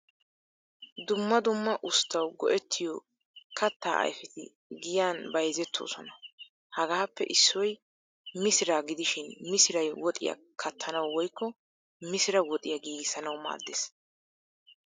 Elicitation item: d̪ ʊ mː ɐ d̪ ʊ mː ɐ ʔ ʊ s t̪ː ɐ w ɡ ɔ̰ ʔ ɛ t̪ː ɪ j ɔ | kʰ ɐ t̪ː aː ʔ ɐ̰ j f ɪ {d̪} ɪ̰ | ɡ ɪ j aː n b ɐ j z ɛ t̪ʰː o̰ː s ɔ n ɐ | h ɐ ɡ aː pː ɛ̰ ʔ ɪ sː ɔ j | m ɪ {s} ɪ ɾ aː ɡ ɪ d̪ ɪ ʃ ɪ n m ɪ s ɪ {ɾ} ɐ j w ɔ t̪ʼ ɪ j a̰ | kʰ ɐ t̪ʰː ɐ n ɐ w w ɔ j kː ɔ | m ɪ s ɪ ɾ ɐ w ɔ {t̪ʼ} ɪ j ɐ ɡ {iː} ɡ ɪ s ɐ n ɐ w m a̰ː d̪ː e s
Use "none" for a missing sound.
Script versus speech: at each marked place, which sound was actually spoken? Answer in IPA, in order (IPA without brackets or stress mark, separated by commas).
t̪, s, ɾ, t̪ʼ, iː